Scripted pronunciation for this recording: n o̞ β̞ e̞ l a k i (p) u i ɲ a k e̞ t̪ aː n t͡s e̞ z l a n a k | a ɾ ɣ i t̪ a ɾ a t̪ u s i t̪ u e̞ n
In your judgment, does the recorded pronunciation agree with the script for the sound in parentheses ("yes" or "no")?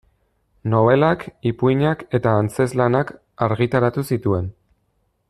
yes